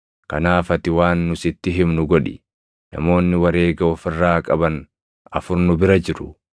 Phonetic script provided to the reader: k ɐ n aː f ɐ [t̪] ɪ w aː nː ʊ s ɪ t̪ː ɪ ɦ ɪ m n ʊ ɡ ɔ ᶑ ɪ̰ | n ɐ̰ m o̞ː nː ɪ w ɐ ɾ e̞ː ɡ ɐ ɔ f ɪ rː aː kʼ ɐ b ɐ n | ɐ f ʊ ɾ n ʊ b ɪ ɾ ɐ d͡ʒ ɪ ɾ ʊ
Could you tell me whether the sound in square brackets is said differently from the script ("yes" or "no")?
no